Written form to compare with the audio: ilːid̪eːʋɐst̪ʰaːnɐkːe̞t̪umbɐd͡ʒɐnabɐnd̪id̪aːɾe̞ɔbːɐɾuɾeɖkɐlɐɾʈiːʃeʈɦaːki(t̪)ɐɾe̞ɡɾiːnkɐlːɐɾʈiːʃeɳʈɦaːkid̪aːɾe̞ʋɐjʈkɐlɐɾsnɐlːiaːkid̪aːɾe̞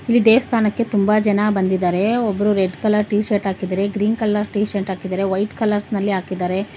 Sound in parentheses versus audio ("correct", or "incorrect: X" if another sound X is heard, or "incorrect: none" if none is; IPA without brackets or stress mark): incorrect: d̪